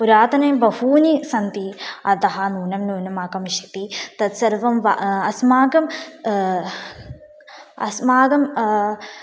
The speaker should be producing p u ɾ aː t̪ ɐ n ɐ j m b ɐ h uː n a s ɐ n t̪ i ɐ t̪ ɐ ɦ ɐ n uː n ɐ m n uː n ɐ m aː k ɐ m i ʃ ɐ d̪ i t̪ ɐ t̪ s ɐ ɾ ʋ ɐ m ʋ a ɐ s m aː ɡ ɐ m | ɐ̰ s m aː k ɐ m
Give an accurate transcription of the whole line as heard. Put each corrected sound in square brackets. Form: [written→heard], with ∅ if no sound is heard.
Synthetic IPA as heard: p u ɾ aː t̪ ɐ n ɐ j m b ɐ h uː n [a→i] s ɐ n t̪ i ɐ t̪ ɐ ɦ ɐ n uː n ɐ m n uː n ɐ m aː k ɐ m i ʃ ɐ [d̪→t̪] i t̪ ɐ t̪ s ɐ ɾ ʋ ɐ m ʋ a ɐ s m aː ɡ ɐ m | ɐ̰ s m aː [k→ɡ] ɐ m